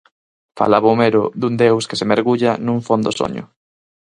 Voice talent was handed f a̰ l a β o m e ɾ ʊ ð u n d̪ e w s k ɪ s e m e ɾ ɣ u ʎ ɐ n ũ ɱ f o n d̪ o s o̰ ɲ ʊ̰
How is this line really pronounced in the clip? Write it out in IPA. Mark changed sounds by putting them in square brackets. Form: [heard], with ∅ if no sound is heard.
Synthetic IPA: f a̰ l a β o m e ɾ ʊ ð u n d̪ e w s k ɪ s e m e ɾ ɣ u ʎ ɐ n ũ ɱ f o n d̪ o s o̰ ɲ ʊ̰